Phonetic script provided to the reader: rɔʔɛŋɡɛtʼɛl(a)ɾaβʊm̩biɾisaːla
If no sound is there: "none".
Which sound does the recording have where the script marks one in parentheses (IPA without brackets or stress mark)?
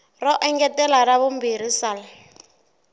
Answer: a